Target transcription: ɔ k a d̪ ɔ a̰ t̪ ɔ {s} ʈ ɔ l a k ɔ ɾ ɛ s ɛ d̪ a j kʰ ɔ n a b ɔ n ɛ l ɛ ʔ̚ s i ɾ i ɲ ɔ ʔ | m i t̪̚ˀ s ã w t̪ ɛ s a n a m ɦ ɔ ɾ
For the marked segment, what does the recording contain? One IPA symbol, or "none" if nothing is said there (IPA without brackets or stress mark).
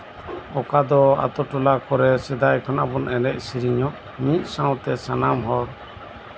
none